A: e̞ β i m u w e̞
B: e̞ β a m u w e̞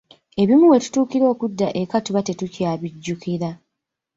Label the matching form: A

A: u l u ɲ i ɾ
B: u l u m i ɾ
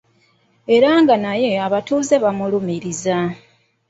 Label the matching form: B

